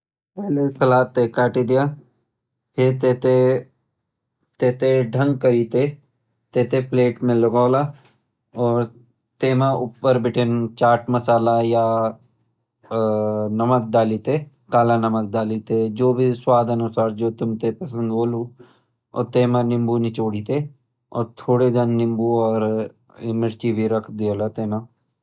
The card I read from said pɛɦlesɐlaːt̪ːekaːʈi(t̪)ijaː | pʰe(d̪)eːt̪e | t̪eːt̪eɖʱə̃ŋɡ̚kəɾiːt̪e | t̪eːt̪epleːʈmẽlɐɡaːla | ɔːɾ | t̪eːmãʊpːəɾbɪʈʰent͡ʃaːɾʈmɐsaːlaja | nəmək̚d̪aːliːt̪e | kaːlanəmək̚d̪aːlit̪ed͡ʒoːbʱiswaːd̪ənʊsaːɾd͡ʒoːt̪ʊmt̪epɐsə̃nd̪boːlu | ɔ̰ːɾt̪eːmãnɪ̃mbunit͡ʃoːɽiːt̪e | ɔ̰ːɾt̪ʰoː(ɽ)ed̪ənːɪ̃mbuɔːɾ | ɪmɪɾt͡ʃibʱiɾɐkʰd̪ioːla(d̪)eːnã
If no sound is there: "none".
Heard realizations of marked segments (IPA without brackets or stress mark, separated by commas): d̪, t̪, ɽ, t̪